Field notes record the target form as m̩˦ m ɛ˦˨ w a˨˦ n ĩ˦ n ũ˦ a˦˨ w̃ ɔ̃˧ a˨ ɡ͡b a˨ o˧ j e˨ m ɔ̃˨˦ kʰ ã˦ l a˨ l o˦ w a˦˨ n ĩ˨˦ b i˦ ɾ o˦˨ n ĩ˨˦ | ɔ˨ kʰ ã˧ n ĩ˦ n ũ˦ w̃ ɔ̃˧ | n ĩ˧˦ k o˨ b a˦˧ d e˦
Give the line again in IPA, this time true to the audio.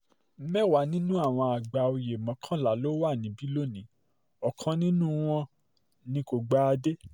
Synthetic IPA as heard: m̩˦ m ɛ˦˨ w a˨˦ n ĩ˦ n ũ˦ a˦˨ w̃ ɔ̃˧ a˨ ɡ͡b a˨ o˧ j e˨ m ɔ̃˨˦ kʰ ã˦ l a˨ l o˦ w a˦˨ n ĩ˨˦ b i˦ l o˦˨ n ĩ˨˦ | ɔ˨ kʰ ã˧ n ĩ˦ n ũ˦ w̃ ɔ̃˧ | n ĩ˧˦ k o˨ ɡ͡b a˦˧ d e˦

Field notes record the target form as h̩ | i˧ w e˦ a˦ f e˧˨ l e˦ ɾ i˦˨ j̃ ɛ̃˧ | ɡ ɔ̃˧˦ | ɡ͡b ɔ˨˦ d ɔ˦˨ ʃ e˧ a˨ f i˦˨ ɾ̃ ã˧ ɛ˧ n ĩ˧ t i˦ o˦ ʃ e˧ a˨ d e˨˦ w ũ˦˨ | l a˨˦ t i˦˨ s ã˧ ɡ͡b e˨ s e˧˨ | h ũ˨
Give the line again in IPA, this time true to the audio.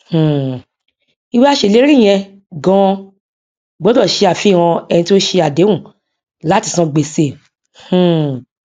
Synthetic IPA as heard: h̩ | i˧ w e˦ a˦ ʃ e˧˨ l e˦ ɾ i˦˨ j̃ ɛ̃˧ | ɡ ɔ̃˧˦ | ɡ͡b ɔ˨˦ d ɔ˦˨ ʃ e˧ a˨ f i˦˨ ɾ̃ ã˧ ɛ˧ n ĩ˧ t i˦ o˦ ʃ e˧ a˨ d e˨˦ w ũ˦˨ | l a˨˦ t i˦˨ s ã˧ ɡ͡b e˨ s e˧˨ | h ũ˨

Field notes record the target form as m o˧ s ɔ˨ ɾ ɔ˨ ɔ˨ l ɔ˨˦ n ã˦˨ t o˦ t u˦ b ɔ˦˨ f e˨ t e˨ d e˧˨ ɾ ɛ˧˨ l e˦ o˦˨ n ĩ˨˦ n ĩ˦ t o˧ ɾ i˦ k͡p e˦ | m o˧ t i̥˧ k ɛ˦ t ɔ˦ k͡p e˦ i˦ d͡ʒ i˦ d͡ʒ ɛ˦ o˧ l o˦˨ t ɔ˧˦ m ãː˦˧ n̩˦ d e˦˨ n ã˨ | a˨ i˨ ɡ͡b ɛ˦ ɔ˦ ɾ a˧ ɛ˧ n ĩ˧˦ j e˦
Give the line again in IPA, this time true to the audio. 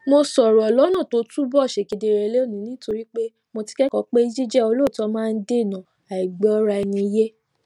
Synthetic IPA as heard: m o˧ s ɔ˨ ɾ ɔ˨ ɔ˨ l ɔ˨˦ n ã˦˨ t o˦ t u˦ b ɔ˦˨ ʃ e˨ k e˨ d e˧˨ ɾ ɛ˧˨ l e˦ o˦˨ n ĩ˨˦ n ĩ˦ t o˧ ɾ i˦ k͡p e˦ | m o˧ t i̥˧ k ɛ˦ k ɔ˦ k͡p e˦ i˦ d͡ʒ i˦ d͡ʒ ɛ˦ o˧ l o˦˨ t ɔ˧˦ m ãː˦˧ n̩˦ d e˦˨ n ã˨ | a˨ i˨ ɡ͡b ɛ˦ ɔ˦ ɾ a˧ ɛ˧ n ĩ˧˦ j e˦

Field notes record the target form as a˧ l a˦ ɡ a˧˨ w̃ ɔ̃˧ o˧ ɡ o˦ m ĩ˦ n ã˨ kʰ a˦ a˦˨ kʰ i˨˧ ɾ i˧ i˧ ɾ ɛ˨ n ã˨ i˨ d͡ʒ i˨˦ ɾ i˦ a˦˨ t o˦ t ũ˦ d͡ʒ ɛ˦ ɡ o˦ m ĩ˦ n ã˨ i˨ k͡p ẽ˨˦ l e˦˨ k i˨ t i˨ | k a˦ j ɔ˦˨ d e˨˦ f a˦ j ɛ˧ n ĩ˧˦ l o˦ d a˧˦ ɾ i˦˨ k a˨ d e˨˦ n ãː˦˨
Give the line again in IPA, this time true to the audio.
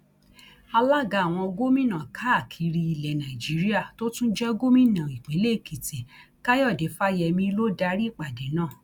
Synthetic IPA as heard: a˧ l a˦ ɡ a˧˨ w̃ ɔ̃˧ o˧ ɡ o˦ m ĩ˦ n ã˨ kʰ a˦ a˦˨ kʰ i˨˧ ɾ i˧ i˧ l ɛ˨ n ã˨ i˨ d͡ʒ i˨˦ ɾ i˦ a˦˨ t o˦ t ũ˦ d͡ʒ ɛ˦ ɡ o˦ m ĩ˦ n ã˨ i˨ k͡p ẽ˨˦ l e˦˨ k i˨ t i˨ | k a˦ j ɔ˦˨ d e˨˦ f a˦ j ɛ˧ m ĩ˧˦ l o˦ d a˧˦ ɾ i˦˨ k͡p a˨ d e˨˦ n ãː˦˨

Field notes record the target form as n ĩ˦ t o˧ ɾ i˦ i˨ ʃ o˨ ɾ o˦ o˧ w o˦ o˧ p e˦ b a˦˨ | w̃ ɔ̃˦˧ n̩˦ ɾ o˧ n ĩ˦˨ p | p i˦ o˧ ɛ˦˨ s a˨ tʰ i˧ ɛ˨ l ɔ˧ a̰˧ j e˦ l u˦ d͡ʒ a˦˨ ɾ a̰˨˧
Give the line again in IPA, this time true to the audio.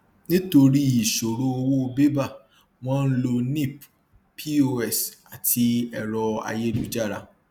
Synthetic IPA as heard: n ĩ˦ t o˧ ɾ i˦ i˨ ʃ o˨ ɾ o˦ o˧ w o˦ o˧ b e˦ b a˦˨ | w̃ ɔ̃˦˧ n̩˦ l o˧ n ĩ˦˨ p | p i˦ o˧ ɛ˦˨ s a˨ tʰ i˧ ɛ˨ ɾ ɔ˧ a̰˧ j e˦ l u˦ d͡ʒ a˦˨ ɾ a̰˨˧

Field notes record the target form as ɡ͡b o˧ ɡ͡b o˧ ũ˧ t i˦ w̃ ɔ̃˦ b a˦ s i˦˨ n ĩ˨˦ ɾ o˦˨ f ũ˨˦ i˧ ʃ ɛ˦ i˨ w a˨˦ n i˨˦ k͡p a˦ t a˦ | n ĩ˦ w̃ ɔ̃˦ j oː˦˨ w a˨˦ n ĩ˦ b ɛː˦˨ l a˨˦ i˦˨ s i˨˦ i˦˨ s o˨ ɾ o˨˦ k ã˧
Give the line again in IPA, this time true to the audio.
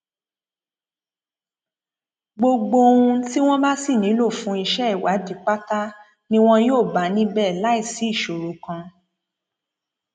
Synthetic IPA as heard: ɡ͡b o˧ ɡ͡b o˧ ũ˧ t i˦ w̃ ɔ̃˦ b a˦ s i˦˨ n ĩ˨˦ l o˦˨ f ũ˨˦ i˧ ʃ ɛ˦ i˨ w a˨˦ d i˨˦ k͡p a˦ t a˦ | n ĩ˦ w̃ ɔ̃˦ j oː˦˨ b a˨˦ n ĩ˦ b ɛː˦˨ l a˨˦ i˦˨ s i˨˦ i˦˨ ʃ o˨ ɾ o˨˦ k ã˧

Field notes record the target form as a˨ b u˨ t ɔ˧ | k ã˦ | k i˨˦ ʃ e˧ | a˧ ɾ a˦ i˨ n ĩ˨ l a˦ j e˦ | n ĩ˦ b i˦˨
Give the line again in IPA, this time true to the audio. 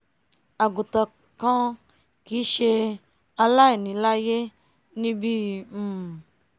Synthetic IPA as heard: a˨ ɡ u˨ t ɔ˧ | k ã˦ | k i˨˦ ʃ e˧ | a˧ l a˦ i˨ n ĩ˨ l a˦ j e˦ | n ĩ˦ b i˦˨

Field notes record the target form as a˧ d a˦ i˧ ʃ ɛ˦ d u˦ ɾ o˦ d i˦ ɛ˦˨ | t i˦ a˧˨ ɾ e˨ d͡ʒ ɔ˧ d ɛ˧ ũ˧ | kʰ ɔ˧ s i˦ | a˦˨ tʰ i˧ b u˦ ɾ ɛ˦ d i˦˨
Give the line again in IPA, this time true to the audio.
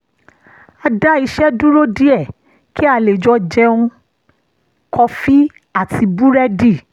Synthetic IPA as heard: a˧ d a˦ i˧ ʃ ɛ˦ d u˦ ɾ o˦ d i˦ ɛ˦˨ | k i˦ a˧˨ l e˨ d͡ʒ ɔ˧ d͡ʒ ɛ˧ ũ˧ | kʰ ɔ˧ f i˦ | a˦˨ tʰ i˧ b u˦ ɾ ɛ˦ d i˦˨

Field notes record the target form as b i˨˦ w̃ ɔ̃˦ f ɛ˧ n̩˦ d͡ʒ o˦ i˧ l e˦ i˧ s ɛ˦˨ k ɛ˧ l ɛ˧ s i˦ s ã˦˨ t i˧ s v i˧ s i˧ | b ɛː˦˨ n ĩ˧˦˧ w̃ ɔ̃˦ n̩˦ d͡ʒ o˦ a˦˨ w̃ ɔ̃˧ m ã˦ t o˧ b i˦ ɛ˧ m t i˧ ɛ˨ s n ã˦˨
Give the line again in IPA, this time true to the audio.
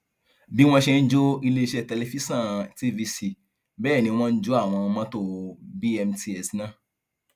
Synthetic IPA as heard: b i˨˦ w̃ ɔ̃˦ ʃ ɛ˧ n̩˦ d͡ʒ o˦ i˧ l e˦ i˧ ʃ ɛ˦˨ t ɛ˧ l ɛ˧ f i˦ s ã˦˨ t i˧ v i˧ s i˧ | b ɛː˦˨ n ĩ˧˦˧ w̃ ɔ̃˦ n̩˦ d͡ʒ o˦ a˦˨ w̃ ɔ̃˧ m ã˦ t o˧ b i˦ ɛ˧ m t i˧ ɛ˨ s n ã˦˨

